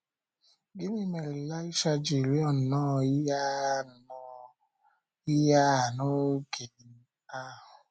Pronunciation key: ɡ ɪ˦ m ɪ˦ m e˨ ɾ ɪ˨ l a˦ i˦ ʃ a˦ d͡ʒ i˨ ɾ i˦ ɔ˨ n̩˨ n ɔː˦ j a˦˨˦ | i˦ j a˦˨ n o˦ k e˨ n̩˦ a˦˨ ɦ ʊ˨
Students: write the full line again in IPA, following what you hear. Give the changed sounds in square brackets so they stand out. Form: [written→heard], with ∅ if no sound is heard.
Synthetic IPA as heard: ɡ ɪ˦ m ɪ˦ m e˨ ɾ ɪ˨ l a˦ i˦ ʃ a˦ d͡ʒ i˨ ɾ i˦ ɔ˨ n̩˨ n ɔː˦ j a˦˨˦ | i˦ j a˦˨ n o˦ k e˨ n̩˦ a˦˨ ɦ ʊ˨